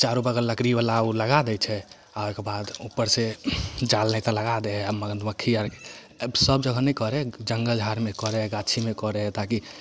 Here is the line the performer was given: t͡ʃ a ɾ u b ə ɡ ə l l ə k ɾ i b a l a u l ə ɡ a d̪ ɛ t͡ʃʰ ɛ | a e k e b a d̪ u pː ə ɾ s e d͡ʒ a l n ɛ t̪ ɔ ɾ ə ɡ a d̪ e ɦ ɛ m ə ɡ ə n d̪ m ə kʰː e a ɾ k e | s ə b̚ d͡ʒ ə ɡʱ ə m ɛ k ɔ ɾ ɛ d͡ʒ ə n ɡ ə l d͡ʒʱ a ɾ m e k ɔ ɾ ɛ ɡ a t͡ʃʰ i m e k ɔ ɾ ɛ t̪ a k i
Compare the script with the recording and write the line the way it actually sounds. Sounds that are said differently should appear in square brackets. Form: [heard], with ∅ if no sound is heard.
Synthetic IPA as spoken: t͡ʃ a ɾ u b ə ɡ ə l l ə k ɾ i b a l a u l ə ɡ a d̪ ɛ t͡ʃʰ ɛ | a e k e b a d̪ u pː ə ɾ s e d͡ʒ a l n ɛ t̪ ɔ [l] ə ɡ a d̪ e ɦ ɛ m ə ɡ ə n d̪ m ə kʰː [i] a ɾ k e | s ə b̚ d͡ʒ ə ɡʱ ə [n] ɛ k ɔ ɾ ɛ d͡ʒ ə [ŋ] ɡ ə l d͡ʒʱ a ɾ m e k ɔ ɾ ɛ ɡ a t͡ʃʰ i m e k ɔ ɾ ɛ t̪ a k i